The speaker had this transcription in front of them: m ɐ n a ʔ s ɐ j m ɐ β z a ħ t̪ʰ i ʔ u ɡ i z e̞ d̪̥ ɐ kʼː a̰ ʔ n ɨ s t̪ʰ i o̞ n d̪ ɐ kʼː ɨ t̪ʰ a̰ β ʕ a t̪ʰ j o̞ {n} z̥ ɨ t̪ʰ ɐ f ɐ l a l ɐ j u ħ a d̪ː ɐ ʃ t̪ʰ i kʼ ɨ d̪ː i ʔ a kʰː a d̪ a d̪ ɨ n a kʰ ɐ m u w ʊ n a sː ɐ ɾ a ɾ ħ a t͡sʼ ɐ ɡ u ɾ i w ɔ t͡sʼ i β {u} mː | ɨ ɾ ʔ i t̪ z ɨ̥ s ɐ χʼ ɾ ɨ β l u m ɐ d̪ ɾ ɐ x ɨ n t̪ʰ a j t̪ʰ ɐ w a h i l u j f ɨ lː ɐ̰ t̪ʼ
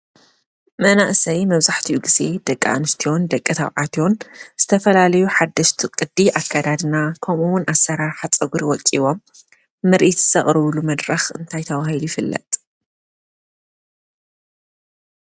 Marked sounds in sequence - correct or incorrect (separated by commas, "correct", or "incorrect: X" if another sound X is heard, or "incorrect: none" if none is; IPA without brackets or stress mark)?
correct, incorrect: o